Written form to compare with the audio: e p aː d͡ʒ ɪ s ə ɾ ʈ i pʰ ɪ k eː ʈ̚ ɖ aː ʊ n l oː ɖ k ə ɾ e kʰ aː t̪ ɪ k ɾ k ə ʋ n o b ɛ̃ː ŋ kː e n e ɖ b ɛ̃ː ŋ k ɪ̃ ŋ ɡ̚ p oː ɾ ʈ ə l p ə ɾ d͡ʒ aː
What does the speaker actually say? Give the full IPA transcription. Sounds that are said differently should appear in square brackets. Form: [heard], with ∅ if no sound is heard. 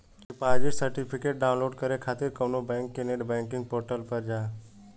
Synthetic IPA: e p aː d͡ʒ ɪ s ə ɾ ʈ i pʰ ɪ k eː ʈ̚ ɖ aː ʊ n l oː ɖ k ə ɾ e kʰ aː t̪ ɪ [∅] ɾ k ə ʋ n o b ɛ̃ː ŋ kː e n e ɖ b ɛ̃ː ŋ k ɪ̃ ŋ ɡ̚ p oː ɾ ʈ ə l p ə ɾ d͡ʒ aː

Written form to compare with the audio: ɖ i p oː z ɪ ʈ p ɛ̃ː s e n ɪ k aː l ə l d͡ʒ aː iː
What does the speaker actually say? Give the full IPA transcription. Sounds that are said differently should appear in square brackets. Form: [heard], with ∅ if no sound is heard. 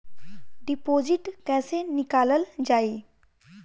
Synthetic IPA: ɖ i p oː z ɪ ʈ [k] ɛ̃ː s e n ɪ k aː l ə l d͡ʒ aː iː

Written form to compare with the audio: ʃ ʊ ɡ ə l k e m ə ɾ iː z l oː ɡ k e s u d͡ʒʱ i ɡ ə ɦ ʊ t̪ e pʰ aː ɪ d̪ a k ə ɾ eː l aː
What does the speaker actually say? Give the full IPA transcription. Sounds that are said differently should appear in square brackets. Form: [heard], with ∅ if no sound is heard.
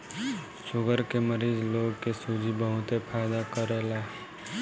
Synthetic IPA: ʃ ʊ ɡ ə [ɾ] k e m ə ɾ iː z l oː ɡ k e s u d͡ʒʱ i [b] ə ɦ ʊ t̪ e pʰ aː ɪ d̪ a k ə ɾ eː l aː

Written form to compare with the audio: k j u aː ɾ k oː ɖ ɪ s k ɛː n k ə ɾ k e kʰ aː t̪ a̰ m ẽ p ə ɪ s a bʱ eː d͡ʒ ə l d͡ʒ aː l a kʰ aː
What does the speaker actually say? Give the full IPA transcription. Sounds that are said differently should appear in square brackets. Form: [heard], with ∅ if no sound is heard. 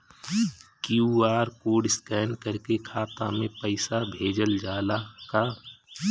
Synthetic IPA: k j u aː ɾ k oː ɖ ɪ s k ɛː n k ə ɾ k e kʰ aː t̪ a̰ m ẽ p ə ɪ s a bʱ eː d͡ʒ ə l d͡ʒ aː l a [k] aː

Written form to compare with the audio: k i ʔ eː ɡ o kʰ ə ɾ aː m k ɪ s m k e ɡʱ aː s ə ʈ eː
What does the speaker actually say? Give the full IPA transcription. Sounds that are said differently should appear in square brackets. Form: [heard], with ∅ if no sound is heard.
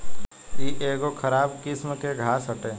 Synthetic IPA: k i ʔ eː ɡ o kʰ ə ɾ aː [b] k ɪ s m k e ɡʱ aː s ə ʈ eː

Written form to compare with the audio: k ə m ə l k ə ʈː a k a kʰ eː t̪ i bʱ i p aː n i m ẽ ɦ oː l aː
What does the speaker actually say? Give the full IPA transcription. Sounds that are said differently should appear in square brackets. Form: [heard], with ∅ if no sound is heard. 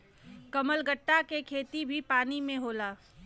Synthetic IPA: k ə m ə l [ɡ] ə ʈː a k [e] kʰ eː t̪ i bʱ i p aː n i m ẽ ɦ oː l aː

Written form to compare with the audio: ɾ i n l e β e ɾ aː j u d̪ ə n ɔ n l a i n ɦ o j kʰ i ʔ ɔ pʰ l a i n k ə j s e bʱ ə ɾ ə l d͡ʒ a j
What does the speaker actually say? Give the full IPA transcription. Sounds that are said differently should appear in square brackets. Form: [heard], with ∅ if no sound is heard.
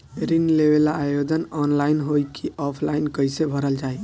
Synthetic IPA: ɾ i n l e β e [l] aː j [o] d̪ ə n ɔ n l a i n ɦ o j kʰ i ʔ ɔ pʰ l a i n k ə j s e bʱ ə ɾ ə l d͡ʒ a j

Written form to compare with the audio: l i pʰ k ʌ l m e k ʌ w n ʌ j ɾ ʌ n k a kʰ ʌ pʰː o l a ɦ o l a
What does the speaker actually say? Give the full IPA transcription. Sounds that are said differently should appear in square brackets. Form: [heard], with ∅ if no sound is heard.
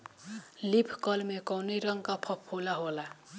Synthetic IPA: l i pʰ k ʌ l m e k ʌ w n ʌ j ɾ ʌ [ŋ] k a [pʰ] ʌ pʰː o l a ɦ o l a

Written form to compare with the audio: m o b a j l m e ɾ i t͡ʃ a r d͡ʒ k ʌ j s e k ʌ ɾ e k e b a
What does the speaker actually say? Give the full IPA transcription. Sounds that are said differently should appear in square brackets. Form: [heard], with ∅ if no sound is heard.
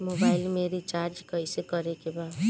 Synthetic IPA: m o b a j l m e ɾ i t͡ʃ a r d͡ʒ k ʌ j s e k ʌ ɾ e k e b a

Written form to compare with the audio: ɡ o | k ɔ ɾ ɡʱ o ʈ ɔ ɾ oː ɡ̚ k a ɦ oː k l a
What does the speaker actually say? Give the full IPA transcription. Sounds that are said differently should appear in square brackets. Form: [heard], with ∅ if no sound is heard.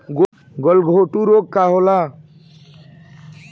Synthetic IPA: ɡ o | [ɡ] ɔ [l] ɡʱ o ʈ [u] ɾ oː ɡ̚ k a ɦ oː [∅] l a

